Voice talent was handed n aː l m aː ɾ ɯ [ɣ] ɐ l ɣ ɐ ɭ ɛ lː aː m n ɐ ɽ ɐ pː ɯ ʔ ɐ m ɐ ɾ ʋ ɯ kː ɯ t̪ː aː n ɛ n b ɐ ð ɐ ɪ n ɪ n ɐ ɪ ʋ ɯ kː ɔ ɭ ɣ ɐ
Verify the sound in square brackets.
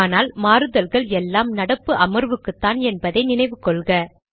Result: incorrect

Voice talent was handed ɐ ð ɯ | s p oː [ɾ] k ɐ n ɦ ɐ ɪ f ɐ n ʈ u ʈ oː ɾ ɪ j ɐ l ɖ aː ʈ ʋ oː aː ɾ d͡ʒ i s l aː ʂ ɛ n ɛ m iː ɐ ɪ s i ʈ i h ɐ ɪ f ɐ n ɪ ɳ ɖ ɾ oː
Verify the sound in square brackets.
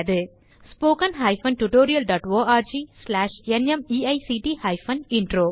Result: incorrect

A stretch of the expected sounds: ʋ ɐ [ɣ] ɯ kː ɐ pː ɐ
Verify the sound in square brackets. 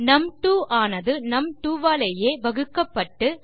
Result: correct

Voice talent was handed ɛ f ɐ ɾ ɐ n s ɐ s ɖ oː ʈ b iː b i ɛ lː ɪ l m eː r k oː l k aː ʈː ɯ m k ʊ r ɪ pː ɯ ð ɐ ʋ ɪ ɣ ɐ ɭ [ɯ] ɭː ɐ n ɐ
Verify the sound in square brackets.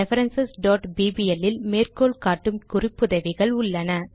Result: incorrect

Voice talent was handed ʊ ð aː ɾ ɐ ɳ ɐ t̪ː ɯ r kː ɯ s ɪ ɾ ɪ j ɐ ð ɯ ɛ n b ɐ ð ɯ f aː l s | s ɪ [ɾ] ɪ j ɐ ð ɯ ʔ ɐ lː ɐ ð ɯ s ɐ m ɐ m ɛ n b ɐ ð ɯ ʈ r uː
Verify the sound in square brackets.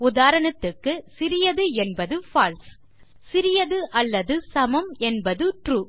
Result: correct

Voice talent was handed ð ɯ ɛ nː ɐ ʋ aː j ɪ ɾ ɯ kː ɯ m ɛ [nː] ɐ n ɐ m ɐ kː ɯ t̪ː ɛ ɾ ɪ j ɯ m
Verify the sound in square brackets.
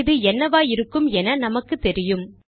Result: incorrect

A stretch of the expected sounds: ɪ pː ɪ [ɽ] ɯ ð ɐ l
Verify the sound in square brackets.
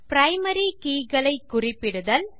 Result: correct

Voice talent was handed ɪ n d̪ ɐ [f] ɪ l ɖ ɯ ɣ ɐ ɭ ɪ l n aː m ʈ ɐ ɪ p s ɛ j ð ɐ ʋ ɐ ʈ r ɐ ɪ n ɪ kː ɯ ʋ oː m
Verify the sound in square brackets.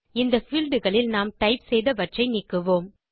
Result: correct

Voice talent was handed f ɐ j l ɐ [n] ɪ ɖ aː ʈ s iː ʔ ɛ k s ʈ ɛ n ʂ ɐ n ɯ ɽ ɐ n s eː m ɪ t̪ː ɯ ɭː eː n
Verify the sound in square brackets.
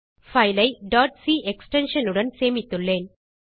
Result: incorrect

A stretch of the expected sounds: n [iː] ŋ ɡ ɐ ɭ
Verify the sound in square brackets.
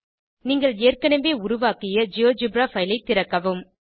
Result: correct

